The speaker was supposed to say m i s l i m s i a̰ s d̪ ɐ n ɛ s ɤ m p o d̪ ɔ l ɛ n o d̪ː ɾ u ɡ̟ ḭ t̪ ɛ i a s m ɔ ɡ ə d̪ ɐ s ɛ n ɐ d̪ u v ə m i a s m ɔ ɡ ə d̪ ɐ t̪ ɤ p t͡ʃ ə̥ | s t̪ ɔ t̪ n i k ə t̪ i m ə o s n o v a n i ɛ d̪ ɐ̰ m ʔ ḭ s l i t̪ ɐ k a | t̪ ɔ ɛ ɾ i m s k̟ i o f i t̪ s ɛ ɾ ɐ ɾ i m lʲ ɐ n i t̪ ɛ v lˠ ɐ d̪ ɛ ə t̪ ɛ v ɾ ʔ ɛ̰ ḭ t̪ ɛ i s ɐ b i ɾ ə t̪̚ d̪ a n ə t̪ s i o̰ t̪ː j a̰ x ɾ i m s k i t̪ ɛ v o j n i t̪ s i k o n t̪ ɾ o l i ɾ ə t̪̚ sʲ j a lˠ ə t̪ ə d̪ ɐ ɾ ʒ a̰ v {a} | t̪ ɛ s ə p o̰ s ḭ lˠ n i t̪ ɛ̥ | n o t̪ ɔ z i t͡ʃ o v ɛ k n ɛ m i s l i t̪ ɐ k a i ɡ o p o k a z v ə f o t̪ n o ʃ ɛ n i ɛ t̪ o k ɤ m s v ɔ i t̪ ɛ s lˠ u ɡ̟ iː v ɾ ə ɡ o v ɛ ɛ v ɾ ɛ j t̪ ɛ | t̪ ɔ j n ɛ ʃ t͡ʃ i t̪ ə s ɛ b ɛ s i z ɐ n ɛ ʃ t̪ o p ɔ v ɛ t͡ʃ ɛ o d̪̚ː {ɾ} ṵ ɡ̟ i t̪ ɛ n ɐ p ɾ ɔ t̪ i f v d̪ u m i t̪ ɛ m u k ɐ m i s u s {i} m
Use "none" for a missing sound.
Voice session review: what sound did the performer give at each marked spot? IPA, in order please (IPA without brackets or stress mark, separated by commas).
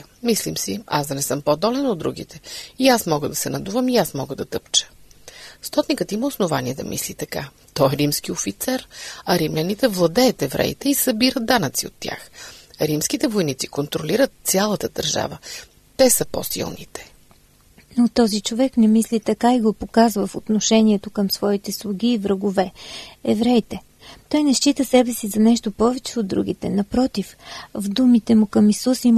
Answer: ə, ɾ, i